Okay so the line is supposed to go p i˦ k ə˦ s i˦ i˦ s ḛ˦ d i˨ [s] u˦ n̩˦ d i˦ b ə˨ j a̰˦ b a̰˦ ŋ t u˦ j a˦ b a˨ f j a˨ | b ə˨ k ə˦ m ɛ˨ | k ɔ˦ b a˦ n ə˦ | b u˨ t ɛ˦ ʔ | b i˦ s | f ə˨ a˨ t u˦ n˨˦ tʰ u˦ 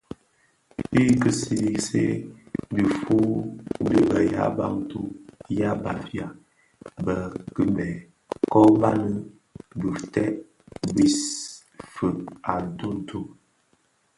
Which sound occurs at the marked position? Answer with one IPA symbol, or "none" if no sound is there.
f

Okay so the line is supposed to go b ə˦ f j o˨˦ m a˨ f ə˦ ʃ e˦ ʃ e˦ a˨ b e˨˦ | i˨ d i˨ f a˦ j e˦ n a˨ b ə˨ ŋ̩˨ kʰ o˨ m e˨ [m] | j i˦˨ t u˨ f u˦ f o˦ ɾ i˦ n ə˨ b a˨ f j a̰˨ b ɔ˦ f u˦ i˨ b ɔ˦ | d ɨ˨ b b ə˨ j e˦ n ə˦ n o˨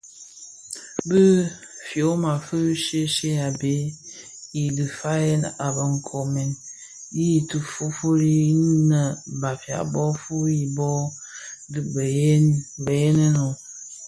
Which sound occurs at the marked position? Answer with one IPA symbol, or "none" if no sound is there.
n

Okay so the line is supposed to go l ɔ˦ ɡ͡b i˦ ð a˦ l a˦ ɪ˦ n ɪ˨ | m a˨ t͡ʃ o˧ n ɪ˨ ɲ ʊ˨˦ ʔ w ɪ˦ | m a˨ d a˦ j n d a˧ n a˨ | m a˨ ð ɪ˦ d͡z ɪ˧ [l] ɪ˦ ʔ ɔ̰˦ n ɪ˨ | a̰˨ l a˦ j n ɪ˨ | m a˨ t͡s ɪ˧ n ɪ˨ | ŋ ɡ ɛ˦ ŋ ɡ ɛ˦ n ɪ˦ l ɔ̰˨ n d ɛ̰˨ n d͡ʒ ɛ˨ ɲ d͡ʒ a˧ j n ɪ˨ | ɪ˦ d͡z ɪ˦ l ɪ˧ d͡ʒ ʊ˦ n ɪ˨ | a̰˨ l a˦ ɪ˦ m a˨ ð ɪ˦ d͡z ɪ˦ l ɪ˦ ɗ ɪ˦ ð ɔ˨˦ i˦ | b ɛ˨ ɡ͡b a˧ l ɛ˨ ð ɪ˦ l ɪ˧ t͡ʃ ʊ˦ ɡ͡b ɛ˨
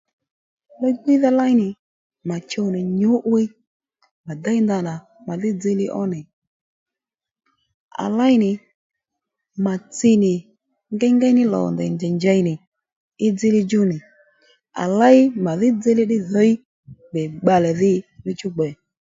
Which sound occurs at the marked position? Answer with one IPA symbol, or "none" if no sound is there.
l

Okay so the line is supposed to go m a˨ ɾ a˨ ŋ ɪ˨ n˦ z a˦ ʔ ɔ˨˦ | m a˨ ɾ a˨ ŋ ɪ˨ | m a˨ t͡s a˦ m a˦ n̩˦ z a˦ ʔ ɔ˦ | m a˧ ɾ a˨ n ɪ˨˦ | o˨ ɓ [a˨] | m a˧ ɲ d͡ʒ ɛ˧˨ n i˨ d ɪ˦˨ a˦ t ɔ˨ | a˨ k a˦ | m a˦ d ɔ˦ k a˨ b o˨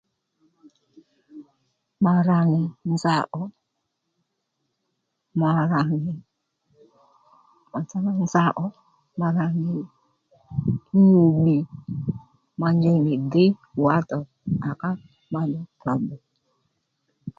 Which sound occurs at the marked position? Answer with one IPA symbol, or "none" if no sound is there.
i˨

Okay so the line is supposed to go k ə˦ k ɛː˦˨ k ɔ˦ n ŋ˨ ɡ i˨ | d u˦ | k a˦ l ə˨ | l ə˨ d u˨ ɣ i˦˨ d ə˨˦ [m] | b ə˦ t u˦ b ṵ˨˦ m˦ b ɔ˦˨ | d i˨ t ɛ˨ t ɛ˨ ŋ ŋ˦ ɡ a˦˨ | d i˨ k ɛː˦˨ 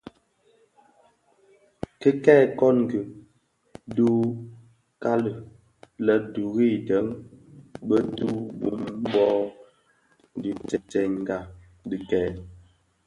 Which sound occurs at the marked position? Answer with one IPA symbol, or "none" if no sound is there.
ŋ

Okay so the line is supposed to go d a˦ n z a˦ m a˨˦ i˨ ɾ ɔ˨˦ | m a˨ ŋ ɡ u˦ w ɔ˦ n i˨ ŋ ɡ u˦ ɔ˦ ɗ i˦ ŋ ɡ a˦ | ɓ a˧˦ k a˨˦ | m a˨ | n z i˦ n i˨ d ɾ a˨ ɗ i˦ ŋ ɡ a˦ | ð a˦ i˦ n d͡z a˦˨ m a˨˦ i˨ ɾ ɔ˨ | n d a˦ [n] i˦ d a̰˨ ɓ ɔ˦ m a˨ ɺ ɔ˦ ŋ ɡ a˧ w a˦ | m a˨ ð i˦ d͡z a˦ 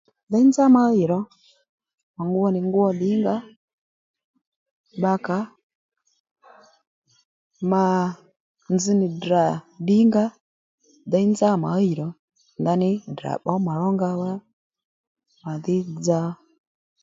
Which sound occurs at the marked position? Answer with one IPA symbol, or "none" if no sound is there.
n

